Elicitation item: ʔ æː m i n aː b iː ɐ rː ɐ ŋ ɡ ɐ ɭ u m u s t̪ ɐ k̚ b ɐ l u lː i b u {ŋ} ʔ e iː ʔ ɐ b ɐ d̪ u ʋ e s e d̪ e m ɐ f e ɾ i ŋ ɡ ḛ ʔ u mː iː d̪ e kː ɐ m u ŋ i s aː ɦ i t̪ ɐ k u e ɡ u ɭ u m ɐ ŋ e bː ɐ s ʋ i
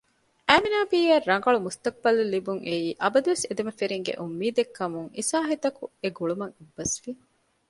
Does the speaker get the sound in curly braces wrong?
no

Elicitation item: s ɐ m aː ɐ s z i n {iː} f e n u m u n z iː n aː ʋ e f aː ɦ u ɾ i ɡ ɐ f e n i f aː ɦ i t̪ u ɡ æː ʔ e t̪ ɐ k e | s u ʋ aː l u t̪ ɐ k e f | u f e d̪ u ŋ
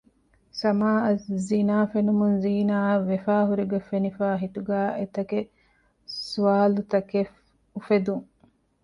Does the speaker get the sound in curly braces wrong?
yes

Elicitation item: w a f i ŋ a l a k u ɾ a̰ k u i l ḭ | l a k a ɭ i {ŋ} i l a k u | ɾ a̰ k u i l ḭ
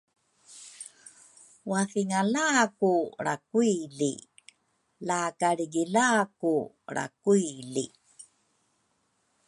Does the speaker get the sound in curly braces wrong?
yes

